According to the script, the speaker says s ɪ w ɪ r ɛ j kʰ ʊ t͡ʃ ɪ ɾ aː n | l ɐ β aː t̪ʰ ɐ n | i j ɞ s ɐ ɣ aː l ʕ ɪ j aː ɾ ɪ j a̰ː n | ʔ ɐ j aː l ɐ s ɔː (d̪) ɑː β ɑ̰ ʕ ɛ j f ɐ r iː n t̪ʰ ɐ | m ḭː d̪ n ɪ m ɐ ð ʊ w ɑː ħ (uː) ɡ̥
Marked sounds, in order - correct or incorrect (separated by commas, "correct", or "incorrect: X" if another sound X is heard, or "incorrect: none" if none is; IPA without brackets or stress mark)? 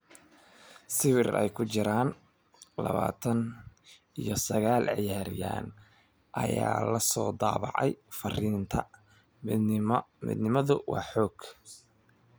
correct, incorrect: ɔː